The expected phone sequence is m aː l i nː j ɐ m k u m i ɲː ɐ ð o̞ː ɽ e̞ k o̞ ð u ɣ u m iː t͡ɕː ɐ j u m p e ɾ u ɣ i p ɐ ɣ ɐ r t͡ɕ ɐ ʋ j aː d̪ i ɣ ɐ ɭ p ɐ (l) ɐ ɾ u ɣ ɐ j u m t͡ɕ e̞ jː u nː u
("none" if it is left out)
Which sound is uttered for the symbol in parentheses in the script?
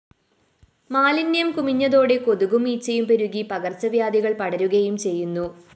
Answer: ɽ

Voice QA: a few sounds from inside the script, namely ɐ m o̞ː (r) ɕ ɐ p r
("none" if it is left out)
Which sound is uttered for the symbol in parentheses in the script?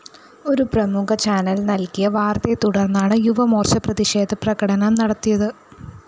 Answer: r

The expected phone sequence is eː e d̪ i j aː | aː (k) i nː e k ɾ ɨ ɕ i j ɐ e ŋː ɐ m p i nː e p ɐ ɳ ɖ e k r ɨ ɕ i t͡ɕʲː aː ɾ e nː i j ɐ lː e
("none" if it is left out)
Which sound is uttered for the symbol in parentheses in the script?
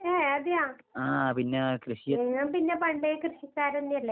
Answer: p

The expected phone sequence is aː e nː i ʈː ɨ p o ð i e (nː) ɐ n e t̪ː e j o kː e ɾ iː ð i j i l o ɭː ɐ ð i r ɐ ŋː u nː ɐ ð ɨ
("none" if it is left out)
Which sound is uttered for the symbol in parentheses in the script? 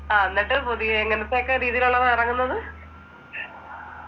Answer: ŋː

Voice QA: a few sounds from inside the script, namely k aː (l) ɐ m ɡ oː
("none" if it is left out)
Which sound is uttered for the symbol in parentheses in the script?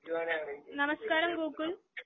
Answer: ɾ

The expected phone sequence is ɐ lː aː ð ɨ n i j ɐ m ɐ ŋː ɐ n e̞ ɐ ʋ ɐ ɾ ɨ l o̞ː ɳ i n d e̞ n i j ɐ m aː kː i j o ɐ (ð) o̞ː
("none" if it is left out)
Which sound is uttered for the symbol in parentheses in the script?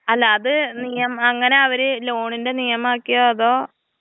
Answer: ð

